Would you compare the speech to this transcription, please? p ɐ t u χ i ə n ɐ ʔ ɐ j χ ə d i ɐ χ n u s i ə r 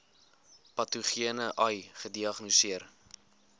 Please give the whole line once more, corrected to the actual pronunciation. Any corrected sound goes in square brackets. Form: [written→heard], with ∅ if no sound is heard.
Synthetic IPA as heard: p ɐ t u χ i ə n [ɐ→ə] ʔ ɐ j χ ə d i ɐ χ n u s i ə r